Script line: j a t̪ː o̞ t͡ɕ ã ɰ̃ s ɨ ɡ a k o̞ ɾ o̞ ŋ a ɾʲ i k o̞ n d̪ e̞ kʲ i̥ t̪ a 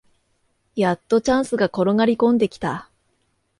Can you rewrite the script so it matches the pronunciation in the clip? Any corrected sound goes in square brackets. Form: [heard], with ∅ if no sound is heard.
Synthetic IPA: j a t̪ː o̞ t͡ɕ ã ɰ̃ s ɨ ɡ a k o̞ ɾ o̞ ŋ a ɾʲ i k [õ̞] n d̪ e̞ kʲ i̥ t̪ a